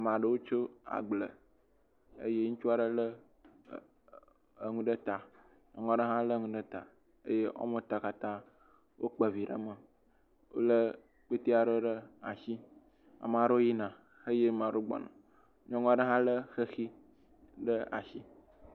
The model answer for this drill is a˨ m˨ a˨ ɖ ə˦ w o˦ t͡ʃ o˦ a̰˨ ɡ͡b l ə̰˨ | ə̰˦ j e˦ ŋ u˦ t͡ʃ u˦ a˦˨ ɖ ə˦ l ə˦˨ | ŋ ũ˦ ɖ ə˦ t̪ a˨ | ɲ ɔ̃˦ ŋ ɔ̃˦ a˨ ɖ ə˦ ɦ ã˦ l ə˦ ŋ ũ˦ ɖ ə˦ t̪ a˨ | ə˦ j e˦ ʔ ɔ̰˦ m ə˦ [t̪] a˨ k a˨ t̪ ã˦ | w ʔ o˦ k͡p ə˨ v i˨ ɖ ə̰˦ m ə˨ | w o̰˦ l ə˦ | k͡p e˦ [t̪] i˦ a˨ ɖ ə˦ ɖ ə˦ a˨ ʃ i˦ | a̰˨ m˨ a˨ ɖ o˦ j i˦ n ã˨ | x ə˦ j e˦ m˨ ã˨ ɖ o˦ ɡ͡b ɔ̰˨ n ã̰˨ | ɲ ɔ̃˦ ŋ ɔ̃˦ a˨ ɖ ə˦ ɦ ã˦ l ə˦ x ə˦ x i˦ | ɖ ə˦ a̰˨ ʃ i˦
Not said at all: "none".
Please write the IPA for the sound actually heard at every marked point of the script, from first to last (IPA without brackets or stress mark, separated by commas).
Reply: t̪, t̪